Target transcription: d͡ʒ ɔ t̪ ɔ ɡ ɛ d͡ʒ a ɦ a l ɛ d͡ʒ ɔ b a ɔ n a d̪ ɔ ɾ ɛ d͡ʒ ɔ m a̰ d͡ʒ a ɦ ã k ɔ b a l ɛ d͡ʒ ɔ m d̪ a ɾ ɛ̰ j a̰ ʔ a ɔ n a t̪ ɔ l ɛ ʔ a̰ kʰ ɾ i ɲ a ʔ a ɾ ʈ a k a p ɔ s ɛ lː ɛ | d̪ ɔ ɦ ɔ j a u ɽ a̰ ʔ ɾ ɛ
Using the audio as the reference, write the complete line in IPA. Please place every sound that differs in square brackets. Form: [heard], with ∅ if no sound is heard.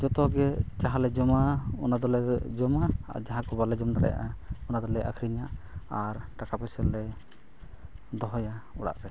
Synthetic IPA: d͡ʒ ɔ t̪ ɔ ɡ ɛ d͡ʒ a ɦ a l ɛ d͡ʒ ɔ [m] a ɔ n a d̪ ɔ [l] ɛ d͡ʒ ɔ m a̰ d͡ʒ a ɦ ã k ɔ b a l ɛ d͡ʒ ɔ m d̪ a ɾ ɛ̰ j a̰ ʔ a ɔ n a [d̪] ɔ l ɛ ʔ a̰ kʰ ɾ i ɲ a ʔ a ɾ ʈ a k a p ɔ s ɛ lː ɛ | d̪ ɔ ɦ ɔ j a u ɽ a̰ ʔ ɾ ɛ

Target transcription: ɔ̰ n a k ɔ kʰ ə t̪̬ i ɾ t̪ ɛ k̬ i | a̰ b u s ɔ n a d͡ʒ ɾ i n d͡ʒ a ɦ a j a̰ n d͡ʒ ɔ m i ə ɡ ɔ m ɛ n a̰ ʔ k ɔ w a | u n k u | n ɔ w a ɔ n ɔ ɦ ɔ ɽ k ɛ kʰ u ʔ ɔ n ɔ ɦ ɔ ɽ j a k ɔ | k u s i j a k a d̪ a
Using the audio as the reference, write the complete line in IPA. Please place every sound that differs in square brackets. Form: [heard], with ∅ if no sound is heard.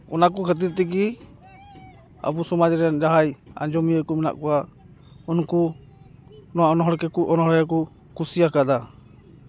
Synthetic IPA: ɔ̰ n a k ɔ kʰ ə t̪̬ i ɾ t̪ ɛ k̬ i | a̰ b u s ɔ [m] a d͡ʒ ɾ [ɛ] n d͡ʒ a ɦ a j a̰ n d͡ʒ ɔ m i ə [k] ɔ m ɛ n a̰ ʔ k ɔ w a | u n k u | n ɔ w a ɔ n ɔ ɦ ɔ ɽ k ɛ [k] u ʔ ɔ n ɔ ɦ ɔ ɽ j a k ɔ | k u s i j a k a d̪ a

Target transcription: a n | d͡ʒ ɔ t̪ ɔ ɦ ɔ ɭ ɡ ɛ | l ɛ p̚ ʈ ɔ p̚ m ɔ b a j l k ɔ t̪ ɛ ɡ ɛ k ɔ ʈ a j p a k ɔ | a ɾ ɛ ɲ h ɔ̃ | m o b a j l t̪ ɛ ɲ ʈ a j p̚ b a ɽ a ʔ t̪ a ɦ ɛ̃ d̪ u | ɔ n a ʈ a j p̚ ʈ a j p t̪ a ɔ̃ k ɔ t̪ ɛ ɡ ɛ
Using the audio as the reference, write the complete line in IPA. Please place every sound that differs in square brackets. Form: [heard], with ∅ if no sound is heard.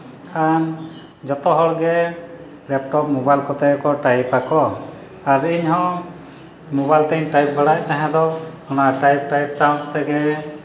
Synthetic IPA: a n | d͡ʒ ɔ t̪ ɔ ɦ ɔ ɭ ɡ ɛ | l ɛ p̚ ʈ ɔ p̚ m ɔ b a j l k ɔ t̪ ɛ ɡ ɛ k ɔ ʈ a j p a k ɔ | a ɾ [i] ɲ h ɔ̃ | m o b a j l t̪ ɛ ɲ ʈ a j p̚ b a ɽ a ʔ t̪ a ɦ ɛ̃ d̪ [ɔ] | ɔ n a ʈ a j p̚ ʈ a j p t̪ a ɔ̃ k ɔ t̪ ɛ ɡ ɛ

